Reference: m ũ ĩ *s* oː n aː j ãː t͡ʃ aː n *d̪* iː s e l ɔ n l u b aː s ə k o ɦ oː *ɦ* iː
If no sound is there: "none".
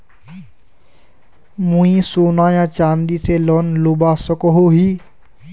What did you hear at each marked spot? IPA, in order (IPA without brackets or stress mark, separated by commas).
s, d̪, ɦ